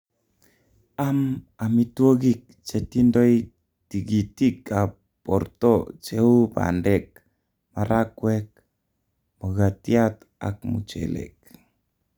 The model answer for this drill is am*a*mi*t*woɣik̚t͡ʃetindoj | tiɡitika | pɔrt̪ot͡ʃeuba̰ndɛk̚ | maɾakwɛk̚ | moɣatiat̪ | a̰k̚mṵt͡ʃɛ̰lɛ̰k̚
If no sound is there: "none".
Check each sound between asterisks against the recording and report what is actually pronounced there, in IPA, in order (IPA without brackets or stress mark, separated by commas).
a, t